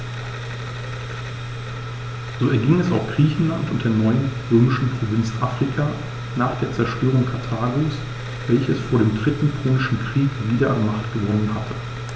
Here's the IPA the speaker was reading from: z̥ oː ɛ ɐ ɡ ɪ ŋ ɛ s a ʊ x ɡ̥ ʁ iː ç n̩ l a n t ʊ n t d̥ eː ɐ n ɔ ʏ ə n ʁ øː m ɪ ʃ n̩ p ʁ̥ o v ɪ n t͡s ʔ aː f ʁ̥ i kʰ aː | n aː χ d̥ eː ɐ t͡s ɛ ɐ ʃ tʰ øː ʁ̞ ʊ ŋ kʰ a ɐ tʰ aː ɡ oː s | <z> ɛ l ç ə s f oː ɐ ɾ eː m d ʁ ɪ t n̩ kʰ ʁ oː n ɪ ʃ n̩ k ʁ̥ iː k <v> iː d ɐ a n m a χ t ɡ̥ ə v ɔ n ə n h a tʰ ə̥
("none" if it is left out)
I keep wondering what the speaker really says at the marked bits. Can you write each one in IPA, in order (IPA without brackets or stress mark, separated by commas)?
v, v